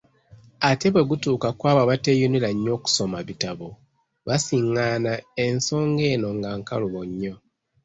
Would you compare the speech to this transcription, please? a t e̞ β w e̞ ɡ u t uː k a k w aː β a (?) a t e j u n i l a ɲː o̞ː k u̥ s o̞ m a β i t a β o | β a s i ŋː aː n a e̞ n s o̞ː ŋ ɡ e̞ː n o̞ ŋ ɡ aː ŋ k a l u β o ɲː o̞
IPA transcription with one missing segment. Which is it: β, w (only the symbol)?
β